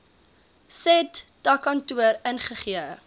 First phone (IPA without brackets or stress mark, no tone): s